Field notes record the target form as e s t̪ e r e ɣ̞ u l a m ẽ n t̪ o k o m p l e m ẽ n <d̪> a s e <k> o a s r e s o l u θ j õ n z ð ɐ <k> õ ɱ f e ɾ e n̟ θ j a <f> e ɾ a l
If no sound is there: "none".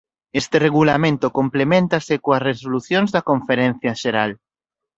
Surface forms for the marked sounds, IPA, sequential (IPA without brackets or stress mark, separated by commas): t̪, k, k, ʃ